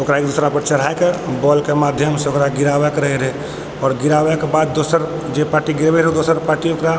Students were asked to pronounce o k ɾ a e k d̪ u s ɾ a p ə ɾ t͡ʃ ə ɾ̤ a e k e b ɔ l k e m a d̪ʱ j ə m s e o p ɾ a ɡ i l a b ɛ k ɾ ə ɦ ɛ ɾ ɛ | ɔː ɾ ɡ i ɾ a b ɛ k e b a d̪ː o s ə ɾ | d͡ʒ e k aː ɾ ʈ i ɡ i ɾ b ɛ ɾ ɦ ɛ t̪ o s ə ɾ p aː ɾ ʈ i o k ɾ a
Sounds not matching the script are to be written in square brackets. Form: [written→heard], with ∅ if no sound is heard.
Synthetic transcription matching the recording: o k ɾ a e k d̪ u s ɾ a p ə ɾ t͡ʃ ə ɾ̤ a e k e b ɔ l k e m a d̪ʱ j ə m s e o [p→k] ɾ a ɡ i [l→ɾ] a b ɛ k ɾ ə ɦ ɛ ɾ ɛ | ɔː ɾ ɡ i ɾ a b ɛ k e b a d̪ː o s ə ɾ | d͡ʒ e [k→p] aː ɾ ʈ i ɡ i ɾ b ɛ ɾ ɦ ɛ [t̪→d̪] o s ə ɾ p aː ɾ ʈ i o k ɾ a